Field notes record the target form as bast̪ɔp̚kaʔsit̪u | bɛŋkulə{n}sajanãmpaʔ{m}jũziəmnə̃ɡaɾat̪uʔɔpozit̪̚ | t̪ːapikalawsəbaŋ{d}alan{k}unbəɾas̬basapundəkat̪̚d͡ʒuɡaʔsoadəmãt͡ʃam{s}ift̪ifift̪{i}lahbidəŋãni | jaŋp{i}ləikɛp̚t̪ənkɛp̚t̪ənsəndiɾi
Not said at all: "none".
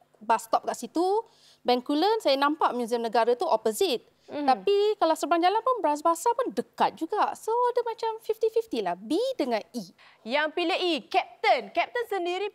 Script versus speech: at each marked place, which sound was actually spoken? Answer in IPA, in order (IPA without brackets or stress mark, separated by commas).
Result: n, m, d͡ʒ, p, f, i, i